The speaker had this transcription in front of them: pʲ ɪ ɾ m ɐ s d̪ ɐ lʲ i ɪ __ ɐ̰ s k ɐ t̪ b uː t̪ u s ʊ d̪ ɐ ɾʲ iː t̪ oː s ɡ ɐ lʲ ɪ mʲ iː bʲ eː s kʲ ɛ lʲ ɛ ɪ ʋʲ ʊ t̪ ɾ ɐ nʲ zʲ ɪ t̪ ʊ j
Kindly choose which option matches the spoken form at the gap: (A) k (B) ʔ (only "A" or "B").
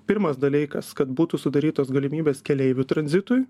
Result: A